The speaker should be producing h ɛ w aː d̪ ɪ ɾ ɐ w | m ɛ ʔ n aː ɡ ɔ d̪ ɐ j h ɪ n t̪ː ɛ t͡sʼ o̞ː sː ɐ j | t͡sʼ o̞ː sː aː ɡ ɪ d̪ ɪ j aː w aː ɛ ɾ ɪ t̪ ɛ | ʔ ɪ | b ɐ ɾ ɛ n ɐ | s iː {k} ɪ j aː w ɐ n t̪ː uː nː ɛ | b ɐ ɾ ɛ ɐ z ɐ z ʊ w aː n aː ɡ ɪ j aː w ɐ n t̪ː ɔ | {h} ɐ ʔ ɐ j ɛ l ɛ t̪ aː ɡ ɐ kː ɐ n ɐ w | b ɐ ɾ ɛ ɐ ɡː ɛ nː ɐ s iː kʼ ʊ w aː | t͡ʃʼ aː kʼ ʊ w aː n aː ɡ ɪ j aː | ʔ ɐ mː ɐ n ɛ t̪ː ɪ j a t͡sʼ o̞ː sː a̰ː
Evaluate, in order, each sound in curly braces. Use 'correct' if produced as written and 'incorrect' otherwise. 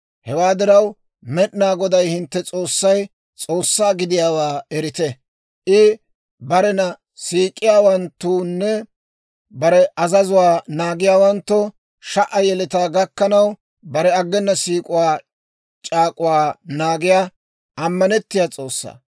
incorrect: kʼ, incorrect: ʃ

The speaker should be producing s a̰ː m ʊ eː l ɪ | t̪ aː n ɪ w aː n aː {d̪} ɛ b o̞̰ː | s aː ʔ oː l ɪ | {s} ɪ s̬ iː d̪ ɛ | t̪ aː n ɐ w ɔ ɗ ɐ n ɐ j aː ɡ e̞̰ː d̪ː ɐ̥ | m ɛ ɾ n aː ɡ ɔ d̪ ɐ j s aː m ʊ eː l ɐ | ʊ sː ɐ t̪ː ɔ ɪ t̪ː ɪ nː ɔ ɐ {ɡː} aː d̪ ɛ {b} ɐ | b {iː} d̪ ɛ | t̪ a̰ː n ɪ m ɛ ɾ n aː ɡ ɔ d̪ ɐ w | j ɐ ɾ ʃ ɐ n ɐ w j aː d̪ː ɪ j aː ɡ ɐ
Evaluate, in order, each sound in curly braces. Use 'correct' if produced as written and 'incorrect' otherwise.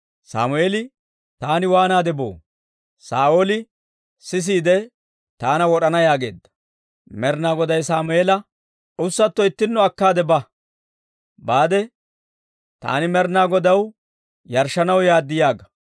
correct, correct, incorrect: kː, correct, incorrect: aː

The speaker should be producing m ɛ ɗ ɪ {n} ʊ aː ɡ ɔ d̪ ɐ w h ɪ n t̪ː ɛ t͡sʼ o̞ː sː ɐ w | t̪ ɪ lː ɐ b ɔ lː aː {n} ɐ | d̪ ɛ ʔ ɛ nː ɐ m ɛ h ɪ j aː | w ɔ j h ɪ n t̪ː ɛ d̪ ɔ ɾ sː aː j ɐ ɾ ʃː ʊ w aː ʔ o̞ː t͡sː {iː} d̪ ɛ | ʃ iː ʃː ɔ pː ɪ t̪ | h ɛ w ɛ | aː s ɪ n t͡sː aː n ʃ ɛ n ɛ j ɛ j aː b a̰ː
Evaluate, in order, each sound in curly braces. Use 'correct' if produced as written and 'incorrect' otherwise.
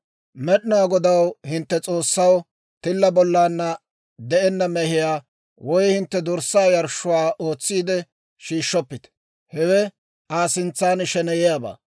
correct, incorrect: nː, correct

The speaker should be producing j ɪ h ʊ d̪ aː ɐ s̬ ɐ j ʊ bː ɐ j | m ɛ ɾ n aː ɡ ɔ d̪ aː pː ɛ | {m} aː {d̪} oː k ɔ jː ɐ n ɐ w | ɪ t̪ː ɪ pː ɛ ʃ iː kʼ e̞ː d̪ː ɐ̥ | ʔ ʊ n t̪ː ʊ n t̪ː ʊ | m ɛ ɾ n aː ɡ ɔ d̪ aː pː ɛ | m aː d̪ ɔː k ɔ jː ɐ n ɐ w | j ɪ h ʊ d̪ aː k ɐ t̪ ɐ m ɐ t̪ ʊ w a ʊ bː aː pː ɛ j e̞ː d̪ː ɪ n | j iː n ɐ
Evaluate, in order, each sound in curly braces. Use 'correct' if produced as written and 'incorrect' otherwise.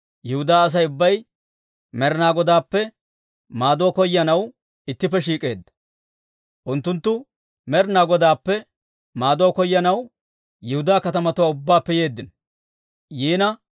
correct, correct

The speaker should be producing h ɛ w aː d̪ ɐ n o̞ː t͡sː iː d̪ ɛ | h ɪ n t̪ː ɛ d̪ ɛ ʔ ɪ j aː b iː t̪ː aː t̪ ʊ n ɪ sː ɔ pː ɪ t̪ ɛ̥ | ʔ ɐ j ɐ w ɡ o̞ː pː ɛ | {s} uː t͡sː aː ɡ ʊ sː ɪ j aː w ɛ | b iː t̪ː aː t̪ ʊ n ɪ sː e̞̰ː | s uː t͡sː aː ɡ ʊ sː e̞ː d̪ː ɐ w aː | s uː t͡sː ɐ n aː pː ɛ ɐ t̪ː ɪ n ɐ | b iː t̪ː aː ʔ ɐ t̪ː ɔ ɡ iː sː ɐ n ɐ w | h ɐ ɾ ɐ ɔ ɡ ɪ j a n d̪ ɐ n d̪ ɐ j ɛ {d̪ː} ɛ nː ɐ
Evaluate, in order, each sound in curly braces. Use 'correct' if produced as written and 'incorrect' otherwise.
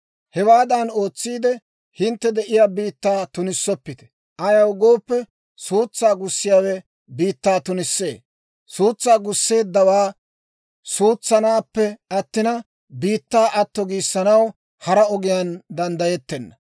correct, incorrect: t̪ː

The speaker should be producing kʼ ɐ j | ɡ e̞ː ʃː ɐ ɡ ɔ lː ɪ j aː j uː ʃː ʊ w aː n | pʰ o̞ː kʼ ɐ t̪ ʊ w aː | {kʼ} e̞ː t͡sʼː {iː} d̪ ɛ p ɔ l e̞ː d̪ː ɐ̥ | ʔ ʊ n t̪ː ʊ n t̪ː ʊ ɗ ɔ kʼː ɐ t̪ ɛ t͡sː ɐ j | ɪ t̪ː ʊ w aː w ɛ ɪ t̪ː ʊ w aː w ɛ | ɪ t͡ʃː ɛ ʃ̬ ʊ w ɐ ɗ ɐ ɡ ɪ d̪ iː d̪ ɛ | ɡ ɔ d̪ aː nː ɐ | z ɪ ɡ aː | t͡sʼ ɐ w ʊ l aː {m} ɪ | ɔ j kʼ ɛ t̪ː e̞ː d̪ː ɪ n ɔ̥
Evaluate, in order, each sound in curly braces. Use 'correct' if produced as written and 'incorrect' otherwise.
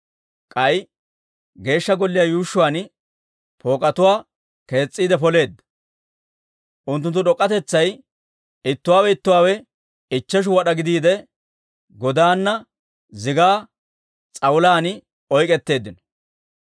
incorrect: k, correct, incorrect: n

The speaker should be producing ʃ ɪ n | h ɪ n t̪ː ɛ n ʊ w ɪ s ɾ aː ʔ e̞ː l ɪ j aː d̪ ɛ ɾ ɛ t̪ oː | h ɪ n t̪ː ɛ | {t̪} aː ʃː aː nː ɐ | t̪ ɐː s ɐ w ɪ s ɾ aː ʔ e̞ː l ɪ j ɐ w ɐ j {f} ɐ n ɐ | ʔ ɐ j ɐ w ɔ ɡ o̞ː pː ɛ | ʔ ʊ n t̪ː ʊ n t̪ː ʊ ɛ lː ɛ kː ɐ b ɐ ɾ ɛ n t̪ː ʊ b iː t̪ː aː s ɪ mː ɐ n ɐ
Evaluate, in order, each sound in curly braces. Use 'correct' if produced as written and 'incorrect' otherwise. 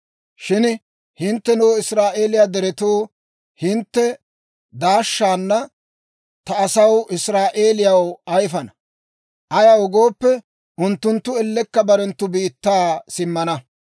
incorrect: d̪, correct

